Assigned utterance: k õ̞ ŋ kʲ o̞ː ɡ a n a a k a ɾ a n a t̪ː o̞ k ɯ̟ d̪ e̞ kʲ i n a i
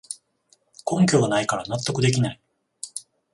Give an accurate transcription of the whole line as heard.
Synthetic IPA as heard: k õ̞ ŋ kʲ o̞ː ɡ a n a i k a ɾ a n a t̪ː o̞ k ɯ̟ d̪ e̞ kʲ i n a i